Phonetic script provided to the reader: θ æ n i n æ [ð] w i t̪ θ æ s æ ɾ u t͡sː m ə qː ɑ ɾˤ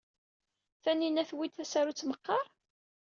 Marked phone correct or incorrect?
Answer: incorrect